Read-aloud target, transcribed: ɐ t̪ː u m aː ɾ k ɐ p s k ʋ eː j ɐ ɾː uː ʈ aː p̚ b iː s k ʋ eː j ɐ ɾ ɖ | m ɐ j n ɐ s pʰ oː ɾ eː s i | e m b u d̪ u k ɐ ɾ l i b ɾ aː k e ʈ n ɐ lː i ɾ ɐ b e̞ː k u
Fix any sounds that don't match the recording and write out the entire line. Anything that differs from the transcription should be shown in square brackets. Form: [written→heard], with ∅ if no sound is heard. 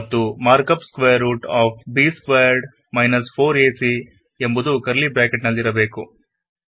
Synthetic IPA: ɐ t̪ː u m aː ɾ k ɐ p s k ʋ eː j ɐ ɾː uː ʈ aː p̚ b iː s k ʋ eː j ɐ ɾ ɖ | m ɐ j n ɐ s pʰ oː ɾ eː s i | e m b u d̪ u k ɐ ɾ l i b ɾ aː k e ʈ n ɐ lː i ɾ ɐ b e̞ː k u